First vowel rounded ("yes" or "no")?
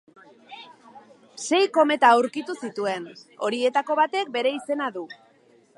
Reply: no